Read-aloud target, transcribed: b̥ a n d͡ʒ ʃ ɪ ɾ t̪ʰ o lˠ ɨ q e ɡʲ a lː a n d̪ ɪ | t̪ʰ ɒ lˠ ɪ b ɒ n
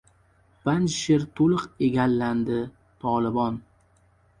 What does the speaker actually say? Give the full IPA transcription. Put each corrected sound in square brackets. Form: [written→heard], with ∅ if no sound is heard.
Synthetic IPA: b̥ a n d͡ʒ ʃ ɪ ɾ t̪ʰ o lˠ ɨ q e ɡʲ a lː a n d̪ ɪ | t̪ʰ ɒ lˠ ɪ b ɒ n

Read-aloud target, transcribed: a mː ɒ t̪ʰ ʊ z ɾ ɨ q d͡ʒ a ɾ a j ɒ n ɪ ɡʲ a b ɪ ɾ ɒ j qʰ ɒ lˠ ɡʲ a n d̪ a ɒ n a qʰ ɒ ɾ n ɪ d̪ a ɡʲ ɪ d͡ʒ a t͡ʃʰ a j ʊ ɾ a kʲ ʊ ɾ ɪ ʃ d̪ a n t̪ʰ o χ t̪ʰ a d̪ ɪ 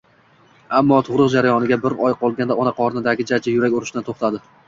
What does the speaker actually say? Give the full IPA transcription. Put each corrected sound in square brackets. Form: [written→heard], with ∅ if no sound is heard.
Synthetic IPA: a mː ɒ t̪ʰ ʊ [z→ʁ] ɾ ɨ q d͡ʒ a ɾ a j ɒ n ɪ ɡʲ a b ɪ ɾ ɒ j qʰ ɒ lˠ ɡʲ a n d̪ a ɒ n a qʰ ɒ ɾ n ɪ d̪ a ɡʲ ɪ d͡ʒ a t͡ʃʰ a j ʊ ɾ a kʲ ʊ ɾ ɪ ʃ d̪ a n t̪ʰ o χ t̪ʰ a d̪ ɪ

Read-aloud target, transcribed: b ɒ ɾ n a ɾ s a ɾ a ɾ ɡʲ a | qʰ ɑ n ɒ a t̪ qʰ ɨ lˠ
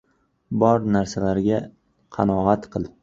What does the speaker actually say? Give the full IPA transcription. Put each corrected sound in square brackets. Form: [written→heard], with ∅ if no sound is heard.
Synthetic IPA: b ɒ ɾ n a ɾ s a [ɾ→l] a ɾ ɡʲ a | qʰ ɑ n ɒ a t̪ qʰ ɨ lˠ

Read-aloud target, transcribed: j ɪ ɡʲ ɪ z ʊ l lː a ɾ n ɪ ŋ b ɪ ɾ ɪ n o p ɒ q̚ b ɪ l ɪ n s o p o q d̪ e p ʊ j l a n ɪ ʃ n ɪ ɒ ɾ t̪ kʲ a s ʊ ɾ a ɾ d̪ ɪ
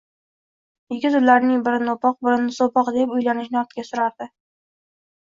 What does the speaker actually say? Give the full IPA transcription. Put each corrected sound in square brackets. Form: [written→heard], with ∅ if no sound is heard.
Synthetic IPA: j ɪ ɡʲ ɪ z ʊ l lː a ɾ n ɪ ŋ b ɪ ɾ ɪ n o p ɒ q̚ b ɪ [l→ɾ] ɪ n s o p [o→ɒ] q d̪ e p ʊ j l a n ɪ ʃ n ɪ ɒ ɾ t̪ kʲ a s ʊ ɾ a ɾ d̪ ɪ

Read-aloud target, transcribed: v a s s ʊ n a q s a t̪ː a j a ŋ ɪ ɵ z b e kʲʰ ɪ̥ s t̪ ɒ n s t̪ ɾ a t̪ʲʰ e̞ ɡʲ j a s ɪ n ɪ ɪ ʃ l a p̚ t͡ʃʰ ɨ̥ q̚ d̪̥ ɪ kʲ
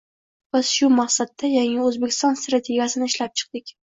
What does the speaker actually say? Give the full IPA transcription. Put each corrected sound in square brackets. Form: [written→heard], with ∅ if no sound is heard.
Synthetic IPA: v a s [s→ʃ] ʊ [n→m] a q s a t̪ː a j a ŋ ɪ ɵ z b e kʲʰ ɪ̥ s t̪ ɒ n s t̪ ɾ a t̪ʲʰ e̞ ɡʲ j a s ɪ n ɪ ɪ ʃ l a p̚ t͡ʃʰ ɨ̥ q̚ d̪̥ ɪ kʲ

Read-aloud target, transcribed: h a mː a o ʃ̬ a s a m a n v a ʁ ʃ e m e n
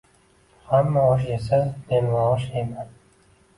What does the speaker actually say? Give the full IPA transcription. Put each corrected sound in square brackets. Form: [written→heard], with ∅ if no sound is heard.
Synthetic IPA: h a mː a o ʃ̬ [a→e] s a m [a→e] n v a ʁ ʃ e m [e→a] n

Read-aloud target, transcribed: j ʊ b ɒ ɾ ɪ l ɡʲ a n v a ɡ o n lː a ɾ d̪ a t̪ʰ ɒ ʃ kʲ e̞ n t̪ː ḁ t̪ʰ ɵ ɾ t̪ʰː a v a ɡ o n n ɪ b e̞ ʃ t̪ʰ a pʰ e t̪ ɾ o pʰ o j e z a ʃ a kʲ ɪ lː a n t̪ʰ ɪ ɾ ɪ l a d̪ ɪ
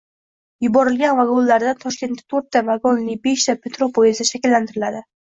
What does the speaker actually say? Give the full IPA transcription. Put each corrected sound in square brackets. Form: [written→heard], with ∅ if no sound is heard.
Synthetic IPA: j ʊ b ɒ ɾ ɪ l ɡʲ a n v a ɡ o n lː a ɾ d̪ a t̪ʰ ɒ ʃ kʲ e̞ n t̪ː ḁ t̪ʰ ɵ ɾ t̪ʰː a v a ɡ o n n ɪ b e̞ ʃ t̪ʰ a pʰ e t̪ ɾ o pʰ o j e z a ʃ a kʲ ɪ lː a n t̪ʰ ɪ ɾ ɪ l a d̪ ɪ

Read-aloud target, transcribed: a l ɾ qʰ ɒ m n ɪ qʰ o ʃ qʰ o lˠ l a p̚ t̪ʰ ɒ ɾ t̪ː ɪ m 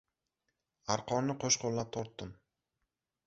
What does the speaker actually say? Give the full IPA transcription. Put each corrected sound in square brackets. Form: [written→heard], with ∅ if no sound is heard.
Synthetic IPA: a [l→∅] ɾ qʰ ɒ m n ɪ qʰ o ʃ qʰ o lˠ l a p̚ t̪ʰ ɒ ɾ t̪ː ɪ m

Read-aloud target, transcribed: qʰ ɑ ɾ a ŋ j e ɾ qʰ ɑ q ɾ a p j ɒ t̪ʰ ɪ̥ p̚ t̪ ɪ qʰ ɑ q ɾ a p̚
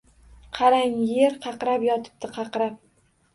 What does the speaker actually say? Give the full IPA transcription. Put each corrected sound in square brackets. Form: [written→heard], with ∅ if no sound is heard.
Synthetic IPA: qʰ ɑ ɾ a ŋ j e ɾ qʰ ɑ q ɾ a p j ɒ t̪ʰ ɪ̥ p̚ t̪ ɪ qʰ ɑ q ɾ a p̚

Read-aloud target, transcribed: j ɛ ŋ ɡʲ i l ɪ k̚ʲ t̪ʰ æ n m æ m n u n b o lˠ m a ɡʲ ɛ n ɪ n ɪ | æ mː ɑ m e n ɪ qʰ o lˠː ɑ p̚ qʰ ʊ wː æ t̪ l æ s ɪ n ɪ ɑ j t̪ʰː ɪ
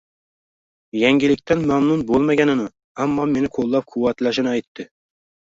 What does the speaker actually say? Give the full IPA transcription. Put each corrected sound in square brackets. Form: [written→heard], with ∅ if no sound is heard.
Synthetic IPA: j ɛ ŋ ɡʲ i l ɪ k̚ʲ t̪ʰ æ n m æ m n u n b o lˠ m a ɡʲ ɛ n ɪ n ɪ | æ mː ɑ m e n ɪ qʰ o lˠː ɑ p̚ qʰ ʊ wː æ t̪ l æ [s→ʃ] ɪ n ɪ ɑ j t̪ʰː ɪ

